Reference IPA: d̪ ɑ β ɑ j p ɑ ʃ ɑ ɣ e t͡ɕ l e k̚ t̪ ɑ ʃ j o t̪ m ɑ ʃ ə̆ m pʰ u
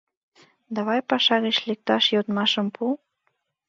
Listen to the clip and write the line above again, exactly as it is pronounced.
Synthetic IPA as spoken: d̪ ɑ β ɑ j p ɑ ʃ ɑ ɣ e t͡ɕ l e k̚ t̪ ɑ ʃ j o t̪ m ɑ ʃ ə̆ m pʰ u